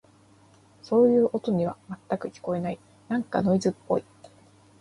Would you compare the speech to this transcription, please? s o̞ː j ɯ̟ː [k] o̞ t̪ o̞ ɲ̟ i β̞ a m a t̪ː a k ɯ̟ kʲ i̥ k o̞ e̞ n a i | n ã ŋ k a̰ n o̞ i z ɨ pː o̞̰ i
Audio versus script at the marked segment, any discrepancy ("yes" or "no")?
yes